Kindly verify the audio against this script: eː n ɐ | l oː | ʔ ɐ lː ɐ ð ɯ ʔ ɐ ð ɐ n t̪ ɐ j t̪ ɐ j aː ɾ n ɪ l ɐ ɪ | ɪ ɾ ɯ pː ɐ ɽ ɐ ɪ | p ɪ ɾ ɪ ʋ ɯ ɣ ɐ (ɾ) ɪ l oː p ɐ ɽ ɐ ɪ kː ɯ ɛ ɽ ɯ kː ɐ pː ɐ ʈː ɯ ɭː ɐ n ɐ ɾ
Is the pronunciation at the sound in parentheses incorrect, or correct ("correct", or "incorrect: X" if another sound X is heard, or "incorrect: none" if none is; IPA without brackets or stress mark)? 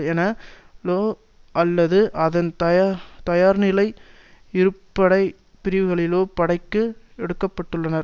incorrect: ɭ